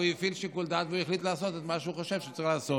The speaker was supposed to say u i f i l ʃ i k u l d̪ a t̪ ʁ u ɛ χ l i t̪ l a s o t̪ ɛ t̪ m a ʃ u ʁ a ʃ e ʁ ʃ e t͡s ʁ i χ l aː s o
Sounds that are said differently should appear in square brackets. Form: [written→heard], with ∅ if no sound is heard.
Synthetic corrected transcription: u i f i l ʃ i k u l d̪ a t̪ [ʁ→v] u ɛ χ l i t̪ l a s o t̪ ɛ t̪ m a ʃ u [ʁ→χ] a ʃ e [ʁ→v] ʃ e t͡s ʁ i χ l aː s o